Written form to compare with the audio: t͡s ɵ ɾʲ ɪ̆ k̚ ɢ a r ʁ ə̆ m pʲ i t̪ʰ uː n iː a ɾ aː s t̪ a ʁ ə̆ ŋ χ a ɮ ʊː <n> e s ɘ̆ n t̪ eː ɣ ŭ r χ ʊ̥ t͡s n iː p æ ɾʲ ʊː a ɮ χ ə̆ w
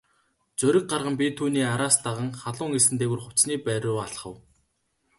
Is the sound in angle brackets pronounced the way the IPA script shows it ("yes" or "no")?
no